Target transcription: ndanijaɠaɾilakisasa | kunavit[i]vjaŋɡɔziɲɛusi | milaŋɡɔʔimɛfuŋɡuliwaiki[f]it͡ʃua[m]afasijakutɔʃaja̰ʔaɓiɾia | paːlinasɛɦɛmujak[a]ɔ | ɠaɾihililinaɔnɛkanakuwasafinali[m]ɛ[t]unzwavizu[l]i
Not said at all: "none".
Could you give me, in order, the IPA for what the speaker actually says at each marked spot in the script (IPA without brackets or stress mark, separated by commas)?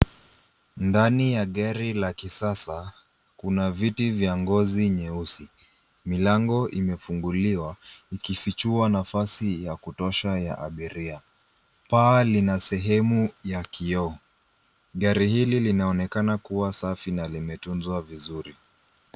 i, f, n, i, m, t, ɾ